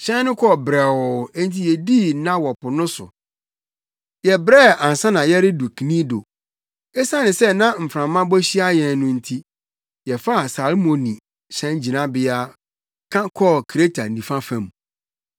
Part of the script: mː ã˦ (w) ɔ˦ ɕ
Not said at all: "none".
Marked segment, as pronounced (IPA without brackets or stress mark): b